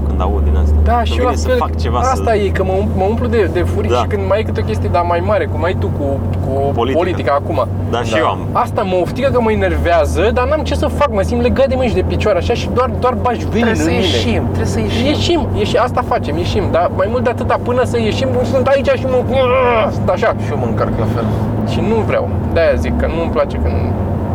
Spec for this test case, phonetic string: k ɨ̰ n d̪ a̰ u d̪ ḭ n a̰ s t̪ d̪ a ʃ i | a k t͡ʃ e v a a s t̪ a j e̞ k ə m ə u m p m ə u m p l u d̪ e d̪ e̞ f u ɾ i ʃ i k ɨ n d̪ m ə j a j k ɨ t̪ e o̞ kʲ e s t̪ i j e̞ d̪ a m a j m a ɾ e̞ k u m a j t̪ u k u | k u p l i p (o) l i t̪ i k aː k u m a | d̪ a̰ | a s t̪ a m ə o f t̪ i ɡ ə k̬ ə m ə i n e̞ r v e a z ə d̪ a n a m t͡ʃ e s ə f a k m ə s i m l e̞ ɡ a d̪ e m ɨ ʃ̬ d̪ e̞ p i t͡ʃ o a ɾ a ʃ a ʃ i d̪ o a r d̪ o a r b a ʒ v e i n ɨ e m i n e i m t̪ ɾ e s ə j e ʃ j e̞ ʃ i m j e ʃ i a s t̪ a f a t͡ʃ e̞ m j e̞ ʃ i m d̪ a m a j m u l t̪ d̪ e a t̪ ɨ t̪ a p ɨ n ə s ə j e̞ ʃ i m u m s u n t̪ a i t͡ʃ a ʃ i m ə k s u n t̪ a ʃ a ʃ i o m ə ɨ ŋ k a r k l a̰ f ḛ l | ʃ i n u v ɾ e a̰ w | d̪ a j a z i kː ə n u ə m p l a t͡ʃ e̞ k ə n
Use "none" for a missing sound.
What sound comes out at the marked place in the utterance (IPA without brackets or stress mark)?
o